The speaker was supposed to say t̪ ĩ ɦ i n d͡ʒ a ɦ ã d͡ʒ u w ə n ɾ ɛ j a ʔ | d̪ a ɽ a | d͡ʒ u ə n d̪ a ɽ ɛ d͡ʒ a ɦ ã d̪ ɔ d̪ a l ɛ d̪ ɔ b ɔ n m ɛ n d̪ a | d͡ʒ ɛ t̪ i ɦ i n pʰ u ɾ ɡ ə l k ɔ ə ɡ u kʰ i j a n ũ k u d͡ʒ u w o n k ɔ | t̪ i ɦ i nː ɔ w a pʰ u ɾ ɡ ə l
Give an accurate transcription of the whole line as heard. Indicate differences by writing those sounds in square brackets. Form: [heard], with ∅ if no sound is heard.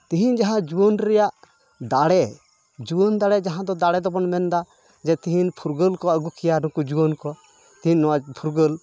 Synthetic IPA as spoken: t̪ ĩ ɦ i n d͡ʒ a ɦ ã d͡ʒ u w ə n ɾ ɛ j a ʔ | d̪ a ɽ [ɛ] | d͡ʒ u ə n d̪ a ɽ ɛ d͡ʒ a ɦ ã d̪ ɔ d̪ a [ɽ] ɛ d̪ ɔ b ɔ n m ɛ n d̪ a | d͡ʒ ɛ t̪ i ɦ i n pʰ u ɾ ɡ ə l k ɔ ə ɡ u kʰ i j a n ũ k u d͡ʒ u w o n k ɔ | t̪ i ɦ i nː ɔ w a pʰ u ɾ ɡ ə l